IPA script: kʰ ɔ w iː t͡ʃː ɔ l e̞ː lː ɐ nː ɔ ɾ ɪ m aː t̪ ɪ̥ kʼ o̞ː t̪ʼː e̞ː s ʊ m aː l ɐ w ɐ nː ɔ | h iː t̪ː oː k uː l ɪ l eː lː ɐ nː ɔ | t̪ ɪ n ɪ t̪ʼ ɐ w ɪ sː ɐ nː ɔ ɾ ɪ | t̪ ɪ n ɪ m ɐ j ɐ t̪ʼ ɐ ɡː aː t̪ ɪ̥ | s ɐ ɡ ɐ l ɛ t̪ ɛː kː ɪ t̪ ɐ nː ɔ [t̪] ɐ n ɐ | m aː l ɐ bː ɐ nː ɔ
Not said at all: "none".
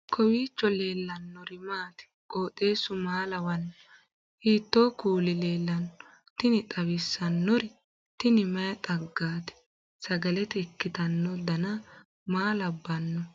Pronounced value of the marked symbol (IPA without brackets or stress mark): d̪